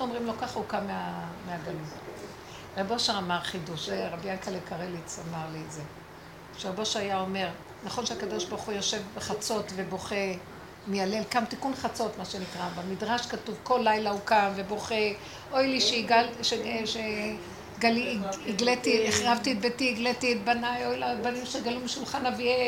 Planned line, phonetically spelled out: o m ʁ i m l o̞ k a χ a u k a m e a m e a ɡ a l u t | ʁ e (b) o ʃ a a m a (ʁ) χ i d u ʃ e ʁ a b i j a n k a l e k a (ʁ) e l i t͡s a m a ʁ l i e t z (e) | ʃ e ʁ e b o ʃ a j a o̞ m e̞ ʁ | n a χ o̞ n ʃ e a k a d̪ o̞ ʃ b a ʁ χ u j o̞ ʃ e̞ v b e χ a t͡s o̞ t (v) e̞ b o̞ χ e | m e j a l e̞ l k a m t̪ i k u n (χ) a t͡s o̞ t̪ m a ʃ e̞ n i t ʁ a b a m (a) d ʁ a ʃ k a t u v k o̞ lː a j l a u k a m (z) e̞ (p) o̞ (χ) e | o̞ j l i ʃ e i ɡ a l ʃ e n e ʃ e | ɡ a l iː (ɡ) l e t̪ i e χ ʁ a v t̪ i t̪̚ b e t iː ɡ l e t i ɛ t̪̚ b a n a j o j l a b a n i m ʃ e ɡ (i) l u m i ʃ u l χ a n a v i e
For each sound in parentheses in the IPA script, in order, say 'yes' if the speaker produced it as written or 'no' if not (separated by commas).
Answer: yes, yes, yes, yes, yes, yes, no, no, no, yes, yes, no